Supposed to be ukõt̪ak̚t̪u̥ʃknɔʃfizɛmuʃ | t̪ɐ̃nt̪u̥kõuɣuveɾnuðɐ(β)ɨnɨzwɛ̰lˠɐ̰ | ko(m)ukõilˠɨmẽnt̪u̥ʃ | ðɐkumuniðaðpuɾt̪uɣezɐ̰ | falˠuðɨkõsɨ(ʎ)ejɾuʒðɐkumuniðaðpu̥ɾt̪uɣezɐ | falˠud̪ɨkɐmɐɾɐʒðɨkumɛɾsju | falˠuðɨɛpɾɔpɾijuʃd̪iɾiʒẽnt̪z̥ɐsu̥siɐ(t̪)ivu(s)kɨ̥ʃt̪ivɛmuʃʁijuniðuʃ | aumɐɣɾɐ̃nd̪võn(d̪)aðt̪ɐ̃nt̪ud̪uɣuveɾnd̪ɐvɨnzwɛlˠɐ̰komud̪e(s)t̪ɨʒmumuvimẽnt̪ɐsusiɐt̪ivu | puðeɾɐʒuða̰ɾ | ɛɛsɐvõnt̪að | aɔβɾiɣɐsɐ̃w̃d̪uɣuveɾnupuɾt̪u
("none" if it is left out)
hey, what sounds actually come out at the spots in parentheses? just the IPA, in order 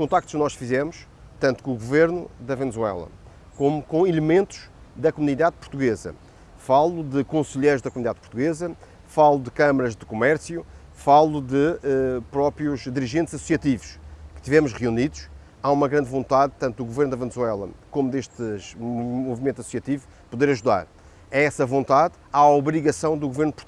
v, m, ʎ, t̪, ʃ, t̪, ʃ

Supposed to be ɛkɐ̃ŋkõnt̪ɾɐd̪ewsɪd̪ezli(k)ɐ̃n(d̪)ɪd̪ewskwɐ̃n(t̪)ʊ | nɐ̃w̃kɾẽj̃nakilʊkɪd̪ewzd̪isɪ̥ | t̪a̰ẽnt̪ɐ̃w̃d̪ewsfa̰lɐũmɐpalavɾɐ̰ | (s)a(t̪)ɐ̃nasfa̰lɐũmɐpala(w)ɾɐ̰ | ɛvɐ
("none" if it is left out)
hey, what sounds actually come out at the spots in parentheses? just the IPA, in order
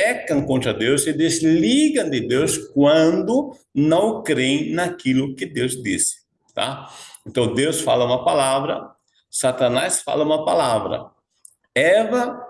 ɡ, d̪, d̪, s, t̪, v

